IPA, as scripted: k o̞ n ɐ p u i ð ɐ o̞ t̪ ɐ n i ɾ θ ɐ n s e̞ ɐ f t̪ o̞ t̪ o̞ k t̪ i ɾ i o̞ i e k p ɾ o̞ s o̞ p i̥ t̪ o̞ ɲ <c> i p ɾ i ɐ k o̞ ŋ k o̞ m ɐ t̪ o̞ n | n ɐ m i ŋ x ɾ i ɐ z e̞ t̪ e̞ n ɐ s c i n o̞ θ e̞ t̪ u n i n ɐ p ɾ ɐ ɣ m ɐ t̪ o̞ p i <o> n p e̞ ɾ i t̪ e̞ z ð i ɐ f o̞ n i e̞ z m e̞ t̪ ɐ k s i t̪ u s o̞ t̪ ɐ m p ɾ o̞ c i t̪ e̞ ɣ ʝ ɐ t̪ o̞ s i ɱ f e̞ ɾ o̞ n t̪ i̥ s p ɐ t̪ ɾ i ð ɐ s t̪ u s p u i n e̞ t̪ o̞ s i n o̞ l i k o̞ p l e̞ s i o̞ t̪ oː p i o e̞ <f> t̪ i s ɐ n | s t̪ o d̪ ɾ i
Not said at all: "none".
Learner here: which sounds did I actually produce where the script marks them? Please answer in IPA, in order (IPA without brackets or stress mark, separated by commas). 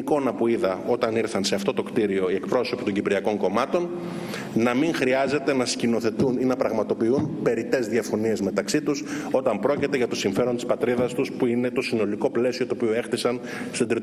ɟ, u, x